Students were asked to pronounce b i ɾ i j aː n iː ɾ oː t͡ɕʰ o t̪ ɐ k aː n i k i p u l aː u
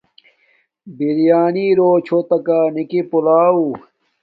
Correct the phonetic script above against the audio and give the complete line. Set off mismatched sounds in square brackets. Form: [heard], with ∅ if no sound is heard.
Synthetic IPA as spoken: b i ɾ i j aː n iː ɾ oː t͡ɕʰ o t̪ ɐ k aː n i k i p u l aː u

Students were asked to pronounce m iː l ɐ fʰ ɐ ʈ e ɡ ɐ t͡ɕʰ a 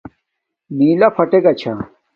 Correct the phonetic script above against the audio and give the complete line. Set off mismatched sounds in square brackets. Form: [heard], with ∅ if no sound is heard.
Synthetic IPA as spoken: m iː l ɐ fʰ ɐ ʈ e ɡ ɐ t͡ɕʰ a

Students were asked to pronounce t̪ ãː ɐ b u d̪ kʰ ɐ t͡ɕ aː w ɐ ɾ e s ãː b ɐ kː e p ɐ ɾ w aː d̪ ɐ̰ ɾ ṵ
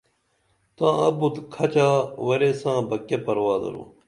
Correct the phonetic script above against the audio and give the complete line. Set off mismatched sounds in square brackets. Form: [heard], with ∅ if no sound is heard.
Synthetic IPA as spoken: t̪ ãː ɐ b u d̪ kʰ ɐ t͡ɕ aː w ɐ ɾ e s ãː b ɐ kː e p ɐ ɾ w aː d̪ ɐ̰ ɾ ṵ

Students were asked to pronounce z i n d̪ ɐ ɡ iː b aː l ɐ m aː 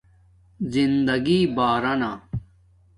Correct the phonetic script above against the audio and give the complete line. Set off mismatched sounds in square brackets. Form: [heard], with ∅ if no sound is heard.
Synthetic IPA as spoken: z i n d̪ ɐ ɡ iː b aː [ɾ] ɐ [n] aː

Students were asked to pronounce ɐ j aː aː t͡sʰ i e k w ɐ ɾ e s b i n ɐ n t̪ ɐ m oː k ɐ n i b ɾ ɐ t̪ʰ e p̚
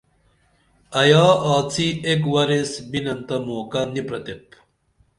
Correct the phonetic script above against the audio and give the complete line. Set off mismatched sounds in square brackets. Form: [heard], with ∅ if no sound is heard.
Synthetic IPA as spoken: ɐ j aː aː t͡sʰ i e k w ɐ ɾ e s b i n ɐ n t̪ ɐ m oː k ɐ n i [p] ɾ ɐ [t̪] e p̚

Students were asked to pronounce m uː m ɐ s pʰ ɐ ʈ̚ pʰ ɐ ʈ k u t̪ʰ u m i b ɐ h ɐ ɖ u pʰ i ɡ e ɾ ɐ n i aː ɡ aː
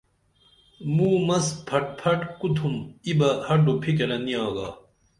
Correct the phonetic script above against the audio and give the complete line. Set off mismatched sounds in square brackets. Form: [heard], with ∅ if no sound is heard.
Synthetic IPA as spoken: m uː m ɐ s pʰ ɐ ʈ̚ pʰ ɐ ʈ k u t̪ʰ u m i b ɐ h ɐ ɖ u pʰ i [k] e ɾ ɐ n i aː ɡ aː

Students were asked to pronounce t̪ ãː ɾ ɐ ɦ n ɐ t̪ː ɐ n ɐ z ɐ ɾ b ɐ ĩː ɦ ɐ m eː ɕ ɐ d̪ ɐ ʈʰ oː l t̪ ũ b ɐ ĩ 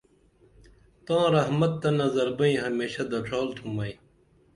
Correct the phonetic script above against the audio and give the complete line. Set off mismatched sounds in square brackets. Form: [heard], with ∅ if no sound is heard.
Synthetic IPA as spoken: t̪ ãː ɾ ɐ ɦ [m] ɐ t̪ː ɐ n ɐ z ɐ ɾ b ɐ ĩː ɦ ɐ m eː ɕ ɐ d̪ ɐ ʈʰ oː l [t̪ʰ] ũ [m] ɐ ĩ

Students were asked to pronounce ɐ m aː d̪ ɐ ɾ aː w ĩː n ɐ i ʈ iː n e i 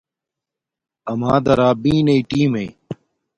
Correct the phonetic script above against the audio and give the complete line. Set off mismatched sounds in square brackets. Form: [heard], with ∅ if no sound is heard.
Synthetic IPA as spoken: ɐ m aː d̪ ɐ ɾ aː [b] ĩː n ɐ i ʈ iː [m] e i

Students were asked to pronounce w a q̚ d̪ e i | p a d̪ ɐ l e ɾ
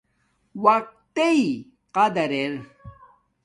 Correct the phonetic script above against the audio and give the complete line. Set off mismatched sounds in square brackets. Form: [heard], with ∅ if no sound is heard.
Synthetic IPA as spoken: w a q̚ [t̪] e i | [q] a d̪ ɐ [ɾ] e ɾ

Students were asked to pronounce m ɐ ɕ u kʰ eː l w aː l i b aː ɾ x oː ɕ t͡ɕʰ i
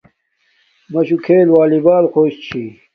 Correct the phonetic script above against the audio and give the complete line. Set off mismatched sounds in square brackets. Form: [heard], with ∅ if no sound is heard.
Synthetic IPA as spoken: m ɐ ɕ u kʰ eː l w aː l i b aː [l] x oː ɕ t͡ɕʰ i

